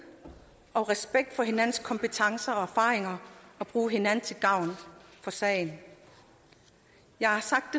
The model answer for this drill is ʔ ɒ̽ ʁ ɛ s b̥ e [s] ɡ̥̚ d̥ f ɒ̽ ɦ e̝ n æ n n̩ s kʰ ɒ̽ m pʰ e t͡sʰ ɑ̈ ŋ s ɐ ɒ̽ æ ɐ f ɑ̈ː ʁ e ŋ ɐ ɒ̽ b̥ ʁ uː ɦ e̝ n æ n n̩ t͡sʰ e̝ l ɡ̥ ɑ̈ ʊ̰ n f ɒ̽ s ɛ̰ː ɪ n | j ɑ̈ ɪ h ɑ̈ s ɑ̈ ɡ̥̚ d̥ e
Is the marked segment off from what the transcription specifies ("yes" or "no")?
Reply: yes